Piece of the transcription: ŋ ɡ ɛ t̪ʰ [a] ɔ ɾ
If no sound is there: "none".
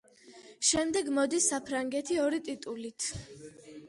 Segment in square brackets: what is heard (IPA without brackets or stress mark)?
i